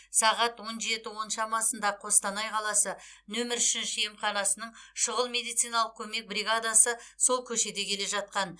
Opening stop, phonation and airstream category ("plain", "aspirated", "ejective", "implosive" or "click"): plain